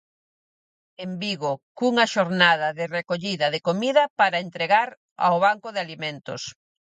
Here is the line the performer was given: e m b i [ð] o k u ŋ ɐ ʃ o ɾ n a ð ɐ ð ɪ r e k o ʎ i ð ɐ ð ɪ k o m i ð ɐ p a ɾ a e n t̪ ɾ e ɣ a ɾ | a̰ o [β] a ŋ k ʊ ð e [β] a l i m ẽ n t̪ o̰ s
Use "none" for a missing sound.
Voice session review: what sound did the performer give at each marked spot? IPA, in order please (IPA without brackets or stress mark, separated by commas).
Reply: ɣ, β, none